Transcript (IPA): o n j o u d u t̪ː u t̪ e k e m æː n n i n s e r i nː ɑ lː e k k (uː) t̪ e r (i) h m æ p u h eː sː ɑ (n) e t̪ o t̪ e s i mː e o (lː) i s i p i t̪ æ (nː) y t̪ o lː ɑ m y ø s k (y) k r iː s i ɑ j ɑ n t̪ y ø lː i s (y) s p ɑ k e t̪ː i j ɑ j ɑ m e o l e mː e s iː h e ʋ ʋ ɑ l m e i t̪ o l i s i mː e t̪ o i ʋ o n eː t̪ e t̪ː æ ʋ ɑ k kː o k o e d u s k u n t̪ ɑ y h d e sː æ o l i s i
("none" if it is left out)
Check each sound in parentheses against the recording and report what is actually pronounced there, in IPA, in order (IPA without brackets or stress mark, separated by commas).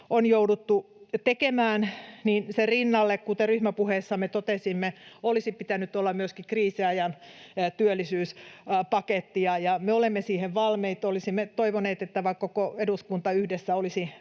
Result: u, y, m, l, n, i, yː